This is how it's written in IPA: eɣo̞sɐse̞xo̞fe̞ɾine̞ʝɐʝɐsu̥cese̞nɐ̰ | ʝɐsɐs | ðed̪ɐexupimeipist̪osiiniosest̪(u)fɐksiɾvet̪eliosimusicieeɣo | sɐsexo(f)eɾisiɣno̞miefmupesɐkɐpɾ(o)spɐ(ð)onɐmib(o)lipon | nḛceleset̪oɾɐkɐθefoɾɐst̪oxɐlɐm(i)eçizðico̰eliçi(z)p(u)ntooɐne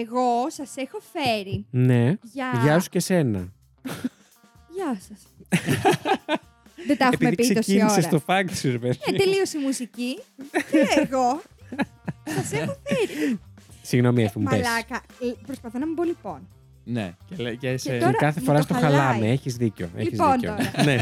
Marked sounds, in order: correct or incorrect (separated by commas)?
incorrect, correct, correct, incorrect, correct, incorrect, correct, incorrect